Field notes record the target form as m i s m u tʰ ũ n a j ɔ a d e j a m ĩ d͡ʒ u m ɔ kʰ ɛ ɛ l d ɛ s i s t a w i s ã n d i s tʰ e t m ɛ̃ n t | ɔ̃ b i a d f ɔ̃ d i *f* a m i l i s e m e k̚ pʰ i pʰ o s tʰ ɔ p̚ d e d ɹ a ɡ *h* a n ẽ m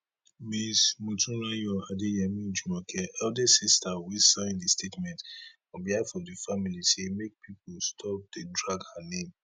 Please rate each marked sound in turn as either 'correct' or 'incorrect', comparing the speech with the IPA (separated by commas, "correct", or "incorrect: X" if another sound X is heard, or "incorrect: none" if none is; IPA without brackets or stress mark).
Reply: correct, correct